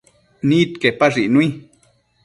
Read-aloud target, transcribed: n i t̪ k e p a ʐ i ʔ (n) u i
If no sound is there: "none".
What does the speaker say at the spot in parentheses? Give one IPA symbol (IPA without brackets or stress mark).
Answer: n